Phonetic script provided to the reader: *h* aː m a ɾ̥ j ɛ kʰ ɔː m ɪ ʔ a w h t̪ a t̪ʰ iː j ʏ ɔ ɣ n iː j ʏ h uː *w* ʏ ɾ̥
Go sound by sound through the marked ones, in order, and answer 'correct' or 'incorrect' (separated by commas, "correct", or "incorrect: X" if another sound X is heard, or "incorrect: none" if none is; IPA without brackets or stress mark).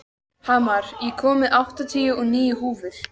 correct, incorrect: v